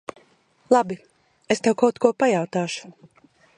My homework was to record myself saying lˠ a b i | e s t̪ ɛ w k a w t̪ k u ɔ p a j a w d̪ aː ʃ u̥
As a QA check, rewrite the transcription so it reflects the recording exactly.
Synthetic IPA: lˠ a b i | e s t̪ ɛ w k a w t̪ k u ɔ p a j a w t̪ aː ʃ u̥